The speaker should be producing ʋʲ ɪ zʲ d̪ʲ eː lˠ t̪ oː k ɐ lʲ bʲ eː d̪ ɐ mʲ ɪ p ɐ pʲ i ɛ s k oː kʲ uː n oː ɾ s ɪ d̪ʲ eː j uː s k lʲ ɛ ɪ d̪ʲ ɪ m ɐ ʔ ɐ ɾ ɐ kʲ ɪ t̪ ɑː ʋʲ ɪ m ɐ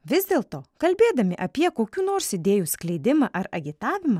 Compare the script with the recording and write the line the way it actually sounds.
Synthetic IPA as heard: ʋʲ ɪ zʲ d̪ʲ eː lˠ t̪ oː k ɐ lʲ bʲ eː d̪ ɐ mʲ ɪ ʔ ɐ pʲ i ɛ k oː kʲ uː n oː ɾ s ɪ d̪ʲ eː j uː s k lʲ ɛ ɪ d̪ʲ ɪ m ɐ ʔ ɐ ɾ ɐ ɡʲ ɪ t̪ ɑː ʋʲ ɪ m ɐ